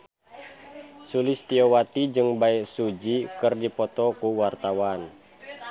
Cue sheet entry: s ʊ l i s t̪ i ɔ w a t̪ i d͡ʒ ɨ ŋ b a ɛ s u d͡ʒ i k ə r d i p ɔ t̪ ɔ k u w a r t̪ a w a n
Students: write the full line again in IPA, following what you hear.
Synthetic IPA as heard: s u l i s t̪ i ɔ w a t̪ i d͡ʒ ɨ ŋ b a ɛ s u d͡ʒ i k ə r d i p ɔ t̪ ɔ k u w a r t̪ a w a n